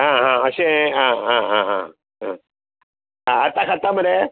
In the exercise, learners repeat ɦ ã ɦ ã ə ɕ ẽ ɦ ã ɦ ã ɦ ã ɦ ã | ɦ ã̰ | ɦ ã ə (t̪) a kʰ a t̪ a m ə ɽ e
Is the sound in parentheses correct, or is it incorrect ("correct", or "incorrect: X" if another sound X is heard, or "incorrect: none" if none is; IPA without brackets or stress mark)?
correct